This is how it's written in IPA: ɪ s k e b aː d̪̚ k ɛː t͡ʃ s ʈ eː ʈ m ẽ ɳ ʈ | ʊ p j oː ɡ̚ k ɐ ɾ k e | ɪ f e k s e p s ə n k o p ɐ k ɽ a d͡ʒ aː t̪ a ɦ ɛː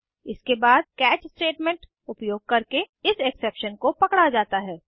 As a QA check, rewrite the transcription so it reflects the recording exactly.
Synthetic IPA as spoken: ɪ s k e b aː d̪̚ k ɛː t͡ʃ s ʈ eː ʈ m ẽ ɳ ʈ | ʊ p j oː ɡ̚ k ɐ ɾ k e | ɪ s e k s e p ʃ ə n k o p ɐ k ɽ a d͡ʒ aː t̪ a ɦ ɛː